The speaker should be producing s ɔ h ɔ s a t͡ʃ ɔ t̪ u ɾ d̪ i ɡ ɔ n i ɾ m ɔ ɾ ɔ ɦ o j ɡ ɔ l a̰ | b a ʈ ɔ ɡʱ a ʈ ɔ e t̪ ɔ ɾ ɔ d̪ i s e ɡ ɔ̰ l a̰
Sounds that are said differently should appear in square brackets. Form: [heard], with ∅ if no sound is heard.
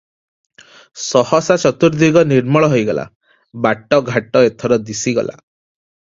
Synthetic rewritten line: s ɔ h ɔ s a t͡ʃ ɔ t̪ u ɾ d̪ i ɡ ɔ n i ɾ m ɔ [ɭ] ɔ ɦ o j ɡ ɔ l a̰ | b a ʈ ɔ ɡʱ a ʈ ɔ e [t̪ʰ] ɔ ɾ ɔ d̪ i s [i] ɡ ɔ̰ l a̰